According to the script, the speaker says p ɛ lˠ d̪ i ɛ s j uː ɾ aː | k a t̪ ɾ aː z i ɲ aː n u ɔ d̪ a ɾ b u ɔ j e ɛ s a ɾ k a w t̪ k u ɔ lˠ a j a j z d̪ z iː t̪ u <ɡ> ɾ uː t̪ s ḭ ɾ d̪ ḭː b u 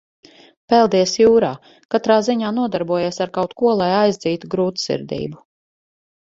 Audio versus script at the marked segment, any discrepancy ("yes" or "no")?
no